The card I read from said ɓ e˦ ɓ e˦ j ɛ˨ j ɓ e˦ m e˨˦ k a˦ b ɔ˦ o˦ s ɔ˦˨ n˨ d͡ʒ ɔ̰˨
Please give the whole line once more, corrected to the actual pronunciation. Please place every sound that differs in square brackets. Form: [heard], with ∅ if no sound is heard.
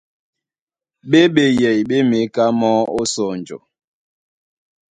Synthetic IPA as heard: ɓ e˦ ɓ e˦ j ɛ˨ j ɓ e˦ m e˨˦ k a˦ [m] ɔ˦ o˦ s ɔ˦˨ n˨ d͡ʒ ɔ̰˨